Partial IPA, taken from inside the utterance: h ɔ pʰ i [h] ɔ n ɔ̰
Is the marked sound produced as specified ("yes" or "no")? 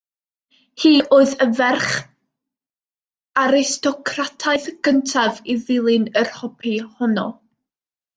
yes